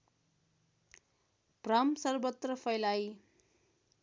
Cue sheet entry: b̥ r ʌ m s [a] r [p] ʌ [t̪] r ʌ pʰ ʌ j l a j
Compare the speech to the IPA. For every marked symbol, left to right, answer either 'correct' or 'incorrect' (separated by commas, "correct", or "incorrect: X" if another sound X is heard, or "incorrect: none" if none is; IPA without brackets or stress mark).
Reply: incorrect: ʌ, incorrect: b, correct